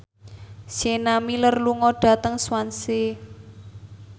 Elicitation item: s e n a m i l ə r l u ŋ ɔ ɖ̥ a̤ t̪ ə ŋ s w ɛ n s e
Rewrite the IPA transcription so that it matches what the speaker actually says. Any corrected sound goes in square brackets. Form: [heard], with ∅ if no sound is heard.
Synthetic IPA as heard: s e n a m i l ə r l u ŋ ɔ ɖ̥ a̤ t̪ ə ŋ s w [a] n s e